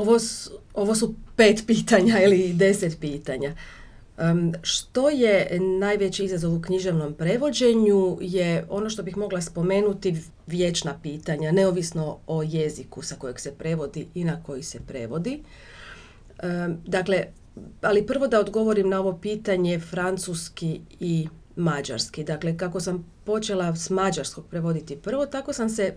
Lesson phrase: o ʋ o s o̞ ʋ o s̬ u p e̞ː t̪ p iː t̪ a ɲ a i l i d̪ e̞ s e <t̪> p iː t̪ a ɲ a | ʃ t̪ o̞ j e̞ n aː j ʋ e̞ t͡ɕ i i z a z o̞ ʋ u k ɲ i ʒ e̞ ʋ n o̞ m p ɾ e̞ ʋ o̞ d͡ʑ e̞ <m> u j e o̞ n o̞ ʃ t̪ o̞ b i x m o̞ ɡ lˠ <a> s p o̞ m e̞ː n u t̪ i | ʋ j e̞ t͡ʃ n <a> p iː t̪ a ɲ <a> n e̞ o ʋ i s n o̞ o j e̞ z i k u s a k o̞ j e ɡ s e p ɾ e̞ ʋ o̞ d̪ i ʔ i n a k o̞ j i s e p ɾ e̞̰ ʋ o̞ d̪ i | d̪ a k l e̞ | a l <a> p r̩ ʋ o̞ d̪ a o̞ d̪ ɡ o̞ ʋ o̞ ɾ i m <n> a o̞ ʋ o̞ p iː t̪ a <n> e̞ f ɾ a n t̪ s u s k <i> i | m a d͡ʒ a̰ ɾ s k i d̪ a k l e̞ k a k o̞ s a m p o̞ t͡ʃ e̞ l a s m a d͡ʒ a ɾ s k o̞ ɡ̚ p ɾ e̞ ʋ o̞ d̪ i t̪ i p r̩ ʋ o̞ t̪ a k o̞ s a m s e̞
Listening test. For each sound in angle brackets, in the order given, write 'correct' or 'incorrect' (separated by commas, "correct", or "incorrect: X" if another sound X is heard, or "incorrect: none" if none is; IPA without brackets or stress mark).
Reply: correct, incorrect: ɲ, correct, correct, correct, incorrect: i, correct, incorrect: ɲ, correct